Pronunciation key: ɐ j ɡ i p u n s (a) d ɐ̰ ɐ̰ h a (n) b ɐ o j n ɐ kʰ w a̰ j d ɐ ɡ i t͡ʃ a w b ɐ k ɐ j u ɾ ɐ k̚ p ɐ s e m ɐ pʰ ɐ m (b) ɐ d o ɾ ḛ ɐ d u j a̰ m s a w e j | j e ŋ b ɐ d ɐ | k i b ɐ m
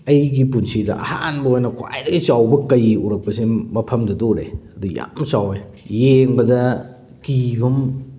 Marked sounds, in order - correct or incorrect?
incorrect, correct, incorrect

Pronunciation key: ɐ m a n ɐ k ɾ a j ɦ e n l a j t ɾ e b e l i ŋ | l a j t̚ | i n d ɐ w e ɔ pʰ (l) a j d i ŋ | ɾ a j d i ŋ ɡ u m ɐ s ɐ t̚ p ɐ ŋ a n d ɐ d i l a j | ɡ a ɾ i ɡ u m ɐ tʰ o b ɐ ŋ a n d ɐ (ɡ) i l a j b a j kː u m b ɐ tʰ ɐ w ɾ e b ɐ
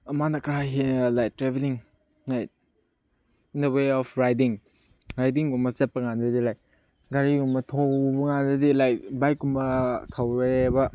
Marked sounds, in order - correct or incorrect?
incorrect, incorrect

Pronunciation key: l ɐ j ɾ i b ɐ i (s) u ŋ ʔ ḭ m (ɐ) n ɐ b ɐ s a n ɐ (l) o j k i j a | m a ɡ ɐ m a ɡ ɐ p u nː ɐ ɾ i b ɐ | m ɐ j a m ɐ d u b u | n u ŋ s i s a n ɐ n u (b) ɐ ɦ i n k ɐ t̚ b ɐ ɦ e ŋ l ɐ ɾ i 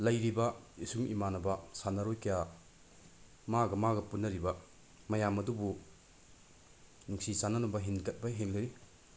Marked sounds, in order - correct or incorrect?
correct, incorrect, incorrect, correct

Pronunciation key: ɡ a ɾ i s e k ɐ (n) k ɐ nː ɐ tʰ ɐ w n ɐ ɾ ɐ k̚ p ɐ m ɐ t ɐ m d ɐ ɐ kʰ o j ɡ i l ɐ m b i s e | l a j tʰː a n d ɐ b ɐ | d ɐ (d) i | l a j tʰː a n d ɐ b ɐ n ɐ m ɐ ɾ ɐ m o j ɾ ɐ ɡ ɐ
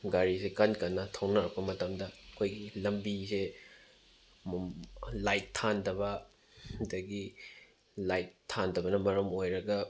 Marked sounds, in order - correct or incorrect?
correct, incorrect

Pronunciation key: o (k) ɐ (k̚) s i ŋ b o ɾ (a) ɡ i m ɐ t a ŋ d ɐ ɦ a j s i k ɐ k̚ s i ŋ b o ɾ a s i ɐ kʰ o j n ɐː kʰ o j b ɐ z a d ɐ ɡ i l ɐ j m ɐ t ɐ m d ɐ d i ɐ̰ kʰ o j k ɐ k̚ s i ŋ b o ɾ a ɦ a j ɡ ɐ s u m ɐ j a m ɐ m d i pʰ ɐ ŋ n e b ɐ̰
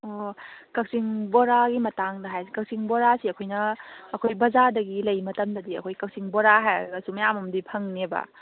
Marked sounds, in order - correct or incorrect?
correct, correct, correct

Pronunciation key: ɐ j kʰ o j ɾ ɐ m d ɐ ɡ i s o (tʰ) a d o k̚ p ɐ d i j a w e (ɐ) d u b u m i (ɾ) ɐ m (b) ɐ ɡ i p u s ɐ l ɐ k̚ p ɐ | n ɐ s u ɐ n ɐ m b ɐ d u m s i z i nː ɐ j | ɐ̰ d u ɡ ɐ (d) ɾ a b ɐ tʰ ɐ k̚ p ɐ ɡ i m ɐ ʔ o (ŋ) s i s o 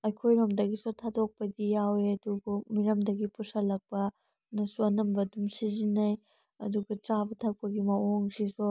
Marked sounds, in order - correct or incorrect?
correct, correct, correct, incorrect, incorrect, correct

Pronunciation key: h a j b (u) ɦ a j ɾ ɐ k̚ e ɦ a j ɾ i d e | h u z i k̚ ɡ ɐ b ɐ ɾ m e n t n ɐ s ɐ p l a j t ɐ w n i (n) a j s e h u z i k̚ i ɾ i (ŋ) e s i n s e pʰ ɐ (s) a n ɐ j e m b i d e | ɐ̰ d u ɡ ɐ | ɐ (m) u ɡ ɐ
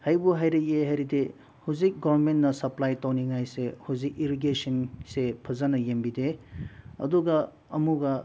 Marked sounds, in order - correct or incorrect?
correct, incorrect, incorrect, incorrect, correct

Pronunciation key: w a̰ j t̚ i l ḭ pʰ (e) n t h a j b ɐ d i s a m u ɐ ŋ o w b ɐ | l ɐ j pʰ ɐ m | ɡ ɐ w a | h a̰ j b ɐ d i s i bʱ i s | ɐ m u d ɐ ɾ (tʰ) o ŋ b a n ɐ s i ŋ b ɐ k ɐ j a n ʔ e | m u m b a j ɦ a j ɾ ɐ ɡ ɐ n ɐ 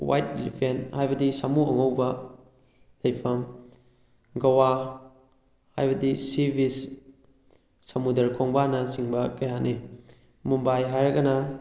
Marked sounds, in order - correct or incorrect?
correct, incorrect

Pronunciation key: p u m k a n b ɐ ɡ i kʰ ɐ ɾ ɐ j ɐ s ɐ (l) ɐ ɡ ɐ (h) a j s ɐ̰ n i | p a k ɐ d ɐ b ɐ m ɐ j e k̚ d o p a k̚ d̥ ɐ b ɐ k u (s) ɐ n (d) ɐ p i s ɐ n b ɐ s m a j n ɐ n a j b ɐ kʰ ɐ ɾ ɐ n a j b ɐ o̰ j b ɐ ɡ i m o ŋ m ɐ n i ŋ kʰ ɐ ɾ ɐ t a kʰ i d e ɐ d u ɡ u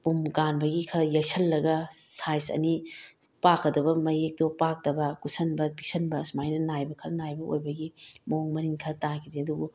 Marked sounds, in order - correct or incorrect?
incorrect, incorrect, correct, incorrect

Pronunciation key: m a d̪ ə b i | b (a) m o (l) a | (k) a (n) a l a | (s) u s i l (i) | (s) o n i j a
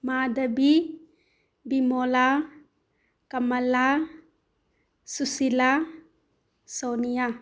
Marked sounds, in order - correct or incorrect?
incorrect, correct, correct, incorrect, correct, incorrect, correct

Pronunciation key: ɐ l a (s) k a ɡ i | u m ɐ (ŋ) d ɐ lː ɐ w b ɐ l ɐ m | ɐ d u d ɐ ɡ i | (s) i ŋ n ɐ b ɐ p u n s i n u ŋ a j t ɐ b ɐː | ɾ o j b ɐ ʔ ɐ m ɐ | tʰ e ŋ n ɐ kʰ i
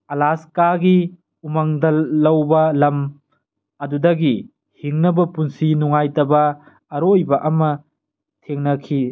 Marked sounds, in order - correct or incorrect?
correct, correct, incorrect

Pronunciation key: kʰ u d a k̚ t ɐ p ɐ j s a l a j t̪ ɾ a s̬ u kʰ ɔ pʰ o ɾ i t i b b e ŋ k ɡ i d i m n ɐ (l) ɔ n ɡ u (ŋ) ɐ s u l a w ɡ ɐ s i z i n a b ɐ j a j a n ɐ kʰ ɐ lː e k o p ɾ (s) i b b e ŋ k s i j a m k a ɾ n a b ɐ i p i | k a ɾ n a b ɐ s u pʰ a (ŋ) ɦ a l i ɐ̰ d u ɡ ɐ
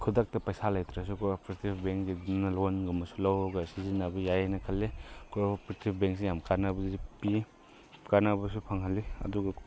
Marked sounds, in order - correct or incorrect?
correct, incorrect, incorrect, correct

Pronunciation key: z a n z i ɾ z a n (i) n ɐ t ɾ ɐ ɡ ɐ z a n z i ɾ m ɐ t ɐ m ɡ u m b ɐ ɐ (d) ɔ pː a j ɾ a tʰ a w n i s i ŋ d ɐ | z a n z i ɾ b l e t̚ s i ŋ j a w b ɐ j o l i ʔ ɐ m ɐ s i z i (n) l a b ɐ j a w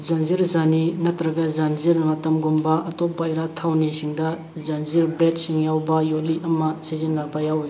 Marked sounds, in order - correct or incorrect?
correct, incorrect, correct

